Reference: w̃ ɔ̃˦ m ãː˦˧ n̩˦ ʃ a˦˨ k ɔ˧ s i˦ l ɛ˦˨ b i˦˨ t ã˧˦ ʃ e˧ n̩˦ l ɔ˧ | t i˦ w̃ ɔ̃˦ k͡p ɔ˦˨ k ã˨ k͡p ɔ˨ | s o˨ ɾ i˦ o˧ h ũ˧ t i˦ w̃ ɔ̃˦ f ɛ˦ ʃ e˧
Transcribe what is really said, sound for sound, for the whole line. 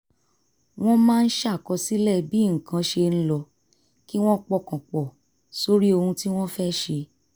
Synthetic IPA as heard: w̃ ɔ̃˦ m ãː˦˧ n̩˦ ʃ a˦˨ k ɔ˧ s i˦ l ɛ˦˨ b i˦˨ k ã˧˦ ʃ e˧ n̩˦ l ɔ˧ | k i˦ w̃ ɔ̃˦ k͡p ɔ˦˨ k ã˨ k͡p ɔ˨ | s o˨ ɾ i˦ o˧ h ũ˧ t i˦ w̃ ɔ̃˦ f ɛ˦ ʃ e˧